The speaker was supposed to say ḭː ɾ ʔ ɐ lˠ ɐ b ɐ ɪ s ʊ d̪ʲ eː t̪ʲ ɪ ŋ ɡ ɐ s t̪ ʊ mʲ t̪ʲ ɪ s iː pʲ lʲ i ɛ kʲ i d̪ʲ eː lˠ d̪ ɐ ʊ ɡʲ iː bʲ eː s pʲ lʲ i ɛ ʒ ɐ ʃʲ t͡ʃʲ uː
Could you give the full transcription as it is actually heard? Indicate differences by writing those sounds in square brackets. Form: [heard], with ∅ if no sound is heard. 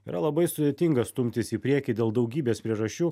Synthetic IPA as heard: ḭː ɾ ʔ ɐ lˠ ɐ b ɐ ɪ s ʊ d̪ʲ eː t̪ʲ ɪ ŋ ɡ ɐ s t̪ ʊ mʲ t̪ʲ ɪ s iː pʲ [ɾʲ] i ɛ kʲ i d̪ʲ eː lˠ d̪ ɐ ʊ ɡʲ iː bʲ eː s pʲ [ɾʲ] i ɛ ʒ ɐ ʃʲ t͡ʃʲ uː